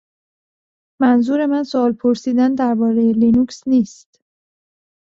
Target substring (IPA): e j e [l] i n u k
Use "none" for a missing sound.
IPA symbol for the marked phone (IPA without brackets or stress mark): l